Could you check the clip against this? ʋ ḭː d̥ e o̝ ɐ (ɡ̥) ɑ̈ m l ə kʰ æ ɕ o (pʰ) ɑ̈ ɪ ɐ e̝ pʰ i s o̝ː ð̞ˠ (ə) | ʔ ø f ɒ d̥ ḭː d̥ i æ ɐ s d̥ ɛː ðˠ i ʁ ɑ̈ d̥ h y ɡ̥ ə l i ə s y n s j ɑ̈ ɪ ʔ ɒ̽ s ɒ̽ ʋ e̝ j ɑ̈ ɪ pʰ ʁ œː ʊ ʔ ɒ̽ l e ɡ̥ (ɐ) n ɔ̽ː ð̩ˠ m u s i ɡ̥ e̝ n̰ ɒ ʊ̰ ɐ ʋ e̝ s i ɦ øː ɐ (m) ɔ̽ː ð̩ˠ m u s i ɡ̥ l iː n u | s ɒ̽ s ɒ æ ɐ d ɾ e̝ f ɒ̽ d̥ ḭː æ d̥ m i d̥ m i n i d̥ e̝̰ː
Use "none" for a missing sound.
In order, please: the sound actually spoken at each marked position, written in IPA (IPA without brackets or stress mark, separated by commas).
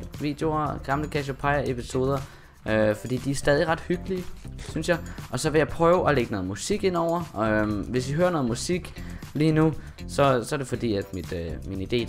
ɡ̥, pʰ, ɐ, ə, n